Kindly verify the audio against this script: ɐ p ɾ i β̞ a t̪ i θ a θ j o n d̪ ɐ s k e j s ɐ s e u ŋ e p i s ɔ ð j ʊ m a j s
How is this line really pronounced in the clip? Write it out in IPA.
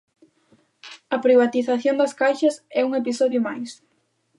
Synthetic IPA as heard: ɐ p ɾ i β̞ a t̪ i θ a θ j o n d̪ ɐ s k a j ʃ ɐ s ɛ u ŋ e p i s ɔ ð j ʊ m a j s